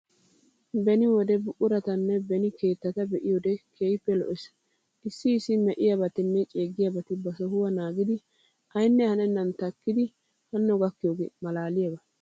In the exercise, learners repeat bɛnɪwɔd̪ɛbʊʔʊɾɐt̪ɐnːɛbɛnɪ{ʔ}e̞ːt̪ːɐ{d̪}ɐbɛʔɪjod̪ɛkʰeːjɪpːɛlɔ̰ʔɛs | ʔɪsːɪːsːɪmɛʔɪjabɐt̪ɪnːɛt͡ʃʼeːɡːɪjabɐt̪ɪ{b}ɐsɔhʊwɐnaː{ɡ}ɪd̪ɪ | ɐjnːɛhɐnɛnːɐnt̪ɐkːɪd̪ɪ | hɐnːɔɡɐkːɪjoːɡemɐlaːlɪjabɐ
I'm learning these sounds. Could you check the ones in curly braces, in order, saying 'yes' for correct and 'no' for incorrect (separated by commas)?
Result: no, no, yes, yes